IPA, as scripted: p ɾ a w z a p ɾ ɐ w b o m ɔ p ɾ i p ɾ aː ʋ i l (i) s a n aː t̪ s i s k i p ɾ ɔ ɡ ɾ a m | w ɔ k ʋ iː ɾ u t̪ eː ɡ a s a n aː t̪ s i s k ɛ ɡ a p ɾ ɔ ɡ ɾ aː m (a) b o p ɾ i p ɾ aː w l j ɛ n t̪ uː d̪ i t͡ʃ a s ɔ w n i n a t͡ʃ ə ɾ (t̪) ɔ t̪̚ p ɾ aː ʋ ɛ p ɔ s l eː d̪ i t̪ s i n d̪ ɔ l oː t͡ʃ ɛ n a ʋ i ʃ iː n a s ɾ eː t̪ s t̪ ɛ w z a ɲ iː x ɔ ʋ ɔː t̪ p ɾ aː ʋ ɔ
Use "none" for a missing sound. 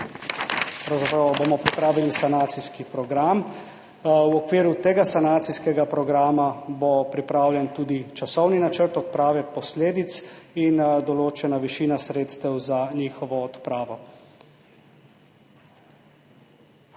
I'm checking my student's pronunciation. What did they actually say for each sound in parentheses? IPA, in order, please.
i, a, t̪

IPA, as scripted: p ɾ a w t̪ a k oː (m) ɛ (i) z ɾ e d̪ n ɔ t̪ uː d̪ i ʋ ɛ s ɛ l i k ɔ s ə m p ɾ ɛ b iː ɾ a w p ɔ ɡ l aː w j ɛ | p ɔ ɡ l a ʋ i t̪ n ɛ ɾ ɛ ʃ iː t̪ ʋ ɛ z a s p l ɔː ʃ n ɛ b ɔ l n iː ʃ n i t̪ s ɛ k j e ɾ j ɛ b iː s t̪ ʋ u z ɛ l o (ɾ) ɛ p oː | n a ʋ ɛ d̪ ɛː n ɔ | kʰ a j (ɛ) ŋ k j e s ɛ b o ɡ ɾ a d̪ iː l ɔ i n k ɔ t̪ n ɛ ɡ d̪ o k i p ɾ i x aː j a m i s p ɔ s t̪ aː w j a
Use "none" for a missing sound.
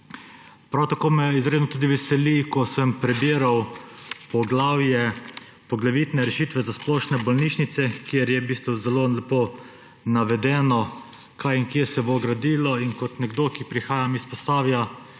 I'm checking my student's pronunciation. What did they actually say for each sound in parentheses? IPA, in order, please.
m, i, l, i

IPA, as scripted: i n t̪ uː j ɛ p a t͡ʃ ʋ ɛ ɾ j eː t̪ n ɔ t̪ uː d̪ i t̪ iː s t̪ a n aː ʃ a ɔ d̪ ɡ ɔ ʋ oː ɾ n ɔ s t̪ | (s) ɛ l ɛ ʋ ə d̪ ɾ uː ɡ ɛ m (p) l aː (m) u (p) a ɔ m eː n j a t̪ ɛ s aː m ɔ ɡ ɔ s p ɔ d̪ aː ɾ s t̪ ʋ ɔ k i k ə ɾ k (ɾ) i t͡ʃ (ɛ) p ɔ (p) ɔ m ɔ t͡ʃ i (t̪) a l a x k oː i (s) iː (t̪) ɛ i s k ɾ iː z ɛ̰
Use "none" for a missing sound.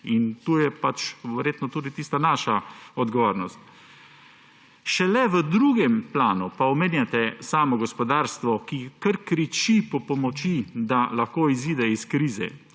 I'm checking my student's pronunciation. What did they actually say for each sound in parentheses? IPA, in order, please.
ʃ, p, n, p, ɾ, i, p, d̪, z, d̪

